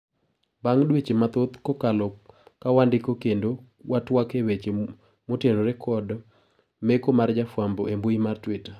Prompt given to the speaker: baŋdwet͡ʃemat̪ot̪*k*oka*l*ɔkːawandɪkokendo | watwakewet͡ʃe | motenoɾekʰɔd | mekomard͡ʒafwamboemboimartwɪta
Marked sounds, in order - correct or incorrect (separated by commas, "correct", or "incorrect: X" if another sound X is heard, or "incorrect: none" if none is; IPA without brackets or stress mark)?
correct, correct